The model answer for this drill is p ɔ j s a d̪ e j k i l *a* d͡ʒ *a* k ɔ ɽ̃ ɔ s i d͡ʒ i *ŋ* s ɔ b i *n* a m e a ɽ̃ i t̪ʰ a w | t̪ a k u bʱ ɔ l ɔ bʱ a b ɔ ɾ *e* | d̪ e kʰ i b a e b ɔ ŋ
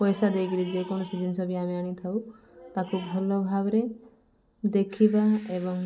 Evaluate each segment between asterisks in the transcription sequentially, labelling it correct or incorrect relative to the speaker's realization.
incorrect, incorrect, incorrect, incorrect, correct

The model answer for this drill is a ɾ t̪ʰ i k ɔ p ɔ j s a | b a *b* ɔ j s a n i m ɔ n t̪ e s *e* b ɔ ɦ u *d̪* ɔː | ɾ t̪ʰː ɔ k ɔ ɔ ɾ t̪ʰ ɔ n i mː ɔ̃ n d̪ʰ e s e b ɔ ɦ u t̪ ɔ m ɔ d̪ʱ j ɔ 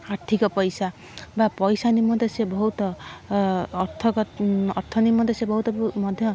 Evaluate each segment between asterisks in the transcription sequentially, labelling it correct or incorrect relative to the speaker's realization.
incorrect, correct, incorrect

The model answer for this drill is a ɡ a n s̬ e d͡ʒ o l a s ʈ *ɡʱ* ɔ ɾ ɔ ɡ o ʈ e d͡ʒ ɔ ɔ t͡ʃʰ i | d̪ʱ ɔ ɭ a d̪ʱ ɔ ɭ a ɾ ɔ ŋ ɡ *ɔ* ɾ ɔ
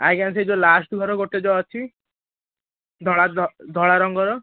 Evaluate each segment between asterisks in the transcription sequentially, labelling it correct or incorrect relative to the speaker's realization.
correct, correct

